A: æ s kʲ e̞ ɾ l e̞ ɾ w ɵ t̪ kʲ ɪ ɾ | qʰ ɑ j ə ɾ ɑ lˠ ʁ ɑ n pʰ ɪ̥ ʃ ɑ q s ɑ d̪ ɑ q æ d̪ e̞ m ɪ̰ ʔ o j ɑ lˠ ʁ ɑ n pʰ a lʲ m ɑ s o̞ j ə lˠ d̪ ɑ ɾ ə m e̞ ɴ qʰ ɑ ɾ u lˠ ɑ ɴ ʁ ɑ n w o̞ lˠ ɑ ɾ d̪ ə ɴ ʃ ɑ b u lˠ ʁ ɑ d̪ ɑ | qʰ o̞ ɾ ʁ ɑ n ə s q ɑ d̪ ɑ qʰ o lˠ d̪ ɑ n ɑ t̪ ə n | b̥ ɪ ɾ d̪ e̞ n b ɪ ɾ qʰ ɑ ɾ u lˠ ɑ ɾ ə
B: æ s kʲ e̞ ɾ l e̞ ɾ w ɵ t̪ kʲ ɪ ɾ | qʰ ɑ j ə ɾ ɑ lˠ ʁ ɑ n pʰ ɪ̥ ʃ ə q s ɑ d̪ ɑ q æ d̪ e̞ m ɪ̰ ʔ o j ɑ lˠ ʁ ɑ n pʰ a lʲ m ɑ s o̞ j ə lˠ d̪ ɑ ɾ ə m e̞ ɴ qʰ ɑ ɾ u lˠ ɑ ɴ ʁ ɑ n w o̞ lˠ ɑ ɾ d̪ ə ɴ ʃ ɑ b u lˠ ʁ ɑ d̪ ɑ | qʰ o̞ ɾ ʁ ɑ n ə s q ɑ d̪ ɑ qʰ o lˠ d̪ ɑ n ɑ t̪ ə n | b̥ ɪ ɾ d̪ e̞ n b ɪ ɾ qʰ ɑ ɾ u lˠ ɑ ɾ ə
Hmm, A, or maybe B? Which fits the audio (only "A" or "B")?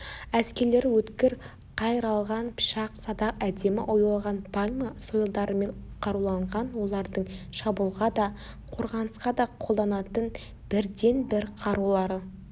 A